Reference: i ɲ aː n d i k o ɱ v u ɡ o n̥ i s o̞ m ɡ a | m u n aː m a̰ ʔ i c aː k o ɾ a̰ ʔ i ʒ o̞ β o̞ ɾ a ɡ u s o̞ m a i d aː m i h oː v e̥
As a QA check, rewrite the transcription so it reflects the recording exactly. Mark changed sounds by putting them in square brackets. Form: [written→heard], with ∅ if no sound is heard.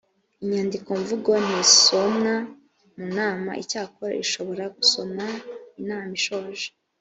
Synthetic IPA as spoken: i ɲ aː n d i k o ɱ v u ɡ o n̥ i s o̞ m [ɡ→ŋ] a | m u n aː m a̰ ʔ i c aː k o ɾ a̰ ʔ i [ʒ→ʃ] o̞ β o̞ ɾ a ɡ u s o̞ m a i [d→n] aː m i [h→ʃ] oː [v→ʒ] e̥